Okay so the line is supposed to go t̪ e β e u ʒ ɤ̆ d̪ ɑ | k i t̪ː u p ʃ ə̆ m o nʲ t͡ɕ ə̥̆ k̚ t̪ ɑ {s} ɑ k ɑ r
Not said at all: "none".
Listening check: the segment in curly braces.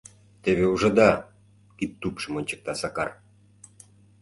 s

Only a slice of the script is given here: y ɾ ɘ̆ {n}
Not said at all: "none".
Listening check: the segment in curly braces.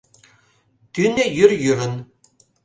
n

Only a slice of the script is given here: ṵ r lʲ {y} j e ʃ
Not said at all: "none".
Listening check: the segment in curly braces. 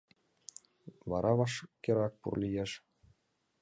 i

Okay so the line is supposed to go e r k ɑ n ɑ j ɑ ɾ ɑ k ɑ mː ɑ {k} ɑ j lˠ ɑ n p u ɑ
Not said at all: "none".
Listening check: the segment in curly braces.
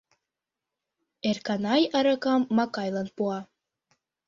k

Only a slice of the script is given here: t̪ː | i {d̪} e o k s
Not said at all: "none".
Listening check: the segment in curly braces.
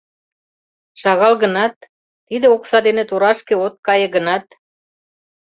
d̪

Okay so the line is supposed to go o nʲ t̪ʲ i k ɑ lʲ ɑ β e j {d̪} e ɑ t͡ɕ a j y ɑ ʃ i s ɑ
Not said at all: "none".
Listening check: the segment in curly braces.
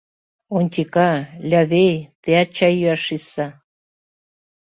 t̪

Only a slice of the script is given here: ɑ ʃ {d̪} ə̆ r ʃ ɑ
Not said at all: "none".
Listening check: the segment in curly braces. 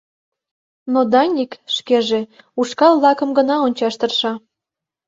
t̪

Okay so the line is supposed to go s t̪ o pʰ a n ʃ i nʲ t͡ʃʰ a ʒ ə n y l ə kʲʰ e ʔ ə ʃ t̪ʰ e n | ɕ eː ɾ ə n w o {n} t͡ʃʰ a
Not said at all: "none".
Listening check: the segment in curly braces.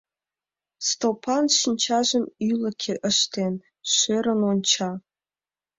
n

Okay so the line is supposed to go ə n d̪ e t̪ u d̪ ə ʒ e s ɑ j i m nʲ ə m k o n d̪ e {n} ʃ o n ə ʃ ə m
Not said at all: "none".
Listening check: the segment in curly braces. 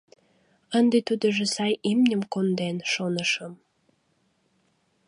n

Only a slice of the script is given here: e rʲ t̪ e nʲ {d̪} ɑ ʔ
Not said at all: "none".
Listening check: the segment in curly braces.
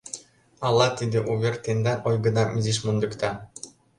d̪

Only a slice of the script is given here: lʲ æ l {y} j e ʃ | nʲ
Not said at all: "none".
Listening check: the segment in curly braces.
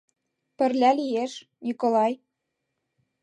i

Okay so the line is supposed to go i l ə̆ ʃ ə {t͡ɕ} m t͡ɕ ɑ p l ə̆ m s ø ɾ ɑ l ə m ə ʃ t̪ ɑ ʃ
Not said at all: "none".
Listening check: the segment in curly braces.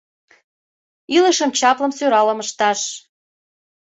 none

